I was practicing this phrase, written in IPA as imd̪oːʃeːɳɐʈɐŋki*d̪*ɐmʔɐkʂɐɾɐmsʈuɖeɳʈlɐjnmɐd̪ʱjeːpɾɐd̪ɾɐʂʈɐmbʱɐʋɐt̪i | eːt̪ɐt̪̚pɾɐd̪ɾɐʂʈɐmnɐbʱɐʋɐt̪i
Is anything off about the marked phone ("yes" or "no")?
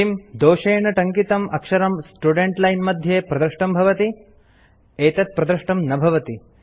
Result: yes